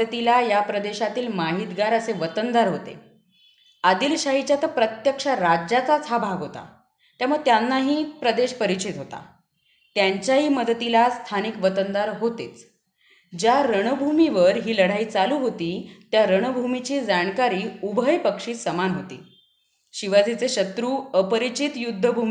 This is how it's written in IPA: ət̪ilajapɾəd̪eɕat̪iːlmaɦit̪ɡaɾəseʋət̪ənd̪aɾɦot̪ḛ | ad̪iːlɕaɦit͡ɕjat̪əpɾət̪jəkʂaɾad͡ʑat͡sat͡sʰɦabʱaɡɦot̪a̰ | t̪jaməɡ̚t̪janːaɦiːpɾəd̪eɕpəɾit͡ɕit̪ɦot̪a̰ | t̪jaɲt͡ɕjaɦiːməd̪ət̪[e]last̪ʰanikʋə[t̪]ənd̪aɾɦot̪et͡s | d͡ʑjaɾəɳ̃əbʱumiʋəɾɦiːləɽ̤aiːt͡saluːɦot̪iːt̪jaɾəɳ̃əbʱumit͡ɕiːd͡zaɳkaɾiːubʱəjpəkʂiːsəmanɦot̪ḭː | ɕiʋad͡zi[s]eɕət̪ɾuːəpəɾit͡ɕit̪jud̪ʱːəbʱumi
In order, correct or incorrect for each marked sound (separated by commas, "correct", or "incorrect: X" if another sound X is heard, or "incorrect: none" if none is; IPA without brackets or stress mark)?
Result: incorrect: i, correct, incorrect: t͡s